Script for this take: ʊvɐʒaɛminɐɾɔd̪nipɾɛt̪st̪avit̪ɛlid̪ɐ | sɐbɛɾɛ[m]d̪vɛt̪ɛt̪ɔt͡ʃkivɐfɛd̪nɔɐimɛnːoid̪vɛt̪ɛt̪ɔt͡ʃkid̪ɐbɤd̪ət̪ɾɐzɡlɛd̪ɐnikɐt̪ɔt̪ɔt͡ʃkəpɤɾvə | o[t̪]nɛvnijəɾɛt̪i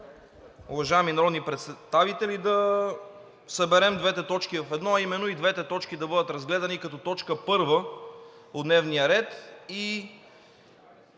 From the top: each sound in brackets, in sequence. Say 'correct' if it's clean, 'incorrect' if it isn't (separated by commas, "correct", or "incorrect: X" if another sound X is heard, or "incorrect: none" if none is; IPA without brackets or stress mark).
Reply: correct, incorrect: d̪